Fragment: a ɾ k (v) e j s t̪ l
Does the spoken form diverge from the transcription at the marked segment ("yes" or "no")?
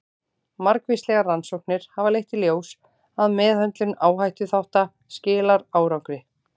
no